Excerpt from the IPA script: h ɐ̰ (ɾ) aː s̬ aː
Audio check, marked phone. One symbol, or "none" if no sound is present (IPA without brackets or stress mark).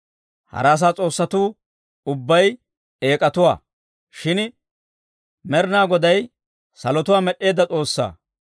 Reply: ɾ